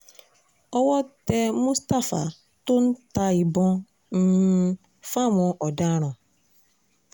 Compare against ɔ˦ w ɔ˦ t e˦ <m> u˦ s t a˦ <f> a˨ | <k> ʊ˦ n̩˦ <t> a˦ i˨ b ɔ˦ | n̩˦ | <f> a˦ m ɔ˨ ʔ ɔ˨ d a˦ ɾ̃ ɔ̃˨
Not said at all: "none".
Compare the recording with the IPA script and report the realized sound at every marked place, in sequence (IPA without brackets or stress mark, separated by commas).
m, f, t, t, f